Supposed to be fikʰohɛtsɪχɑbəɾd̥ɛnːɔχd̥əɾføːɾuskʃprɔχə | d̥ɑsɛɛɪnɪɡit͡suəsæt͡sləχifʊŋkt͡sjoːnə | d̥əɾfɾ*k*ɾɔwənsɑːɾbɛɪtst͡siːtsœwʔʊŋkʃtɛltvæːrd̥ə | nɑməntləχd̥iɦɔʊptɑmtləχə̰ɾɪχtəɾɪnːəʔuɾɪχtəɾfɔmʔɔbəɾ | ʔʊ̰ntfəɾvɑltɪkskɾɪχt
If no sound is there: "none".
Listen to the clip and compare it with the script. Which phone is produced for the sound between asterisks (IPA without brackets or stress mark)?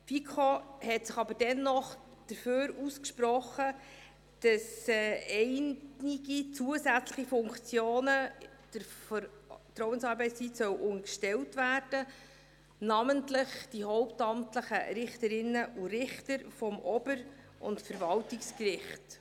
t